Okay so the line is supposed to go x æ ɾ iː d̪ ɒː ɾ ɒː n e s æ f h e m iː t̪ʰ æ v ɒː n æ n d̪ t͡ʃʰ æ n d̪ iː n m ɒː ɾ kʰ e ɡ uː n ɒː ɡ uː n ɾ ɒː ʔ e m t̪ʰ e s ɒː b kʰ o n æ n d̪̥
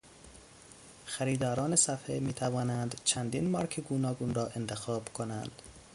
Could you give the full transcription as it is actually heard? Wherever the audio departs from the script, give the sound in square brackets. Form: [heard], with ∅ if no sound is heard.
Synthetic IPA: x æ ɾ iː d̪ ɒː ɾ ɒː n e s æ f h e m iː t̪ʰ æ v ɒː n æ n d̪ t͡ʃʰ æ n d̪ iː n m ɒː ɾ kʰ e ɡ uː n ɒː ɡ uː n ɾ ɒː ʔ e [n] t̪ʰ e [x] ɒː b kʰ o n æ n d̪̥